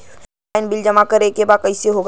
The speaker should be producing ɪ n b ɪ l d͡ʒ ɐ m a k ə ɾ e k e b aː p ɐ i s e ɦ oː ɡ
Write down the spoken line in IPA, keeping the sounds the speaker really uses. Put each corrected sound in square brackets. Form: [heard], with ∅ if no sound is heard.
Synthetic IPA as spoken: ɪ n b ɪ l d͡ʒ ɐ m a k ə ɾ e k e b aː [k] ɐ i s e ɦ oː ɡ